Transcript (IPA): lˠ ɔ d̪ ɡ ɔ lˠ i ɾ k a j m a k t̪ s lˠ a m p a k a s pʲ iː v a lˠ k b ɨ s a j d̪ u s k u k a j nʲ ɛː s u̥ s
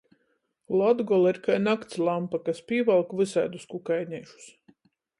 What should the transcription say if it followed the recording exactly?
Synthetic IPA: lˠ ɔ d̪ ɡ ɔ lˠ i ɾ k a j n a k t̪ s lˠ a m p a k a s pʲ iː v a lˠ k v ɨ s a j d̪ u s k u k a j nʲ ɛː ʃ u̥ s